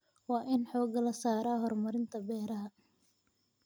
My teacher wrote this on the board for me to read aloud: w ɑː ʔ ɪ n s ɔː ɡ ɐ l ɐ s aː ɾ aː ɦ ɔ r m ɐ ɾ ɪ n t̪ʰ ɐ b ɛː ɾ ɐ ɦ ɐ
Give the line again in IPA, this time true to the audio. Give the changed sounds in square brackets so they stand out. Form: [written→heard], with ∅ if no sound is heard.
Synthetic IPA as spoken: w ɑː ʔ ɪ n [s→ħ] ɔː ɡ ɐ l ɐ s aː ɾ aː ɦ ɔ r m ɐ ɾ ɪ n t̪ʰ ɐ b ɛː ɾ ɐ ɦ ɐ